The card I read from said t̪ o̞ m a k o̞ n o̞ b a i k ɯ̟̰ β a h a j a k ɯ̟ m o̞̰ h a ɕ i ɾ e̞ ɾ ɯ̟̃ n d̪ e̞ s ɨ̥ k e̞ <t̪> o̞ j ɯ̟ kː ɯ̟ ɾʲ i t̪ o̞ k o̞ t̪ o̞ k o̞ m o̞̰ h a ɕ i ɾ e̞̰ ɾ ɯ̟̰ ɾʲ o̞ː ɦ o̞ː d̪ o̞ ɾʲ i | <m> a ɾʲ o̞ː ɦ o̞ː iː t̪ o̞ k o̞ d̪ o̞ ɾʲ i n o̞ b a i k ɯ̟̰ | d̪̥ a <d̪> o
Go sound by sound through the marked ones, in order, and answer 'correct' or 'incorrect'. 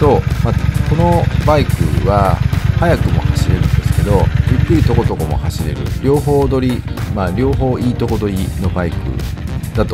incorrect: d̪, correct, incorrect: t̪

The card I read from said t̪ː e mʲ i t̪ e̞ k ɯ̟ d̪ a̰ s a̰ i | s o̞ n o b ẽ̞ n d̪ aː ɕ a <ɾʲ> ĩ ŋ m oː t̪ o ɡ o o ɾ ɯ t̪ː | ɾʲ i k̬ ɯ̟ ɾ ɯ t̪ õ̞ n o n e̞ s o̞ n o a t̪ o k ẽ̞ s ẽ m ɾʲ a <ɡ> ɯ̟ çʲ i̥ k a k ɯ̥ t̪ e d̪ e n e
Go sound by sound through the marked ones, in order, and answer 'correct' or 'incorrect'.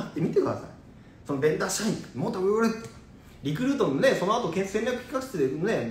incorrect: none, incorrect: k

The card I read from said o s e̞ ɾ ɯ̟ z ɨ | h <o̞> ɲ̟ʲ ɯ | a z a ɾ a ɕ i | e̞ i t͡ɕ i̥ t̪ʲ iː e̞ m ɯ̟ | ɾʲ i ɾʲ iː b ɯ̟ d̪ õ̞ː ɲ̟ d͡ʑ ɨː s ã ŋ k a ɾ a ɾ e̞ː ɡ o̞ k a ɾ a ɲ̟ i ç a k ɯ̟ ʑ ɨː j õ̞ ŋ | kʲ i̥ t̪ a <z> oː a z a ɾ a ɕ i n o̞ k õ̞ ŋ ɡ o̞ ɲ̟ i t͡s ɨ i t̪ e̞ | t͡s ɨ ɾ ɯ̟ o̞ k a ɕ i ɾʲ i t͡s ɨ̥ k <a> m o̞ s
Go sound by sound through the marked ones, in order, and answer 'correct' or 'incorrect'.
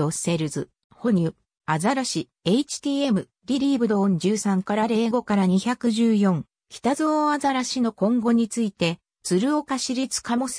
correct, correct, correct

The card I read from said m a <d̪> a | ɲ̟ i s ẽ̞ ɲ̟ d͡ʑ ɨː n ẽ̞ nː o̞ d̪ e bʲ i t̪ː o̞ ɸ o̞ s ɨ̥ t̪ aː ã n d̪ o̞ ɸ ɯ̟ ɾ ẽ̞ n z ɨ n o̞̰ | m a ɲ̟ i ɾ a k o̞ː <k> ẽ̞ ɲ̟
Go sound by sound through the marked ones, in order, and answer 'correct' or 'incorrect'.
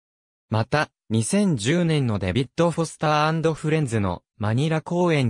incorrect: t̪, incorrect: none

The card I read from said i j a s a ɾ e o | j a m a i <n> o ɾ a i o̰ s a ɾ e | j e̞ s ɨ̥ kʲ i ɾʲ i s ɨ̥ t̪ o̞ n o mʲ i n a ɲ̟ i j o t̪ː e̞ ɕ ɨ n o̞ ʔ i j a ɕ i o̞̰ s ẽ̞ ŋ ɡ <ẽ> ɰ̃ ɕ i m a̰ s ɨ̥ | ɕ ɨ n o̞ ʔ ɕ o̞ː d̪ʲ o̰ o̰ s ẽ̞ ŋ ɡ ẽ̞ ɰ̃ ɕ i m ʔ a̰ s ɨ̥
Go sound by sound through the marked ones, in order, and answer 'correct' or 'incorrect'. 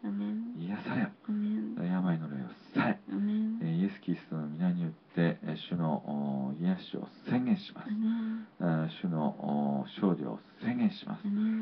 correct, correct

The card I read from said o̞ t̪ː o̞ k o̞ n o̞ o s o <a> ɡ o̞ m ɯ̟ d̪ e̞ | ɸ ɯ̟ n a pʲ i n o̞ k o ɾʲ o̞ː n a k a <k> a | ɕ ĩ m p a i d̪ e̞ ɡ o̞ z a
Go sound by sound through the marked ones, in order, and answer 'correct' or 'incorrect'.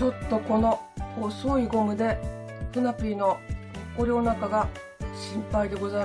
incorrect: i, incorrect: ɡ

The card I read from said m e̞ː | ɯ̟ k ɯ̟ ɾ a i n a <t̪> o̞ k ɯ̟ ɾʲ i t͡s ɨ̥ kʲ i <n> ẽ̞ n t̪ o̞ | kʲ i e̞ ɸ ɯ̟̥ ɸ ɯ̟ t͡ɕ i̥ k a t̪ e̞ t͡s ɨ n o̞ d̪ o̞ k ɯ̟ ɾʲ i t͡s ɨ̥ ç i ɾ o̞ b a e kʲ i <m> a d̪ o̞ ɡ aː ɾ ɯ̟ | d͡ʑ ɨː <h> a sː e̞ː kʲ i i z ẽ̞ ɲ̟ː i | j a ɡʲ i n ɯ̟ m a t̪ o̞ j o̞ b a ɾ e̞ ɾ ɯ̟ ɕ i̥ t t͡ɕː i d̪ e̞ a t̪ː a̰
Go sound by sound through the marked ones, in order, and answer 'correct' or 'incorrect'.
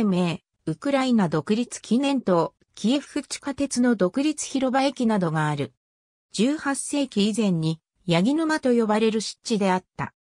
incorrect: d̪, correct, incorrect: n, correct

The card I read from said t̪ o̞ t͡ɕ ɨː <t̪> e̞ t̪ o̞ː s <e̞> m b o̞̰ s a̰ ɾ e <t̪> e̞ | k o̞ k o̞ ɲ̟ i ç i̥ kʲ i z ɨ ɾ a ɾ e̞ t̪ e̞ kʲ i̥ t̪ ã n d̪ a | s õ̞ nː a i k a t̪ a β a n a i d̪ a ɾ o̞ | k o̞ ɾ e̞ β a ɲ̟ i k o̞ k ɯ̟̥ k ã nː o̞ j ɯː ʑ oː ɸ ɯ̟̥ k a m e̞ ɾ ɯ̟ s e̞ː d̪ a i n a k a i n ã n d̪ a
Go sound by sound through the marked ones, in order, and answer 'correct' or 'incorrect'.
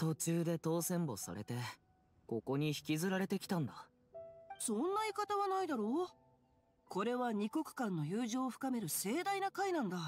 incorrect: d̪, incorrect: ẽ̞, correct

